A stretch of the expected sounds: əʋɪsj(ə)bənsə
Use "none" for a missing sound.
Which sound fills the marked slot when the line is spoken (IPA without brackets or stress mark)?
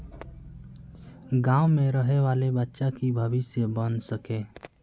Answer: ə